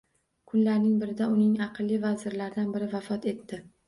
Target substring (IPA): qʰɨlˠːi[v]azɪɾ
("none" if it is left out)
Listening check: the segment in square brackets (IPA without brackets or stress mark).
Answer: v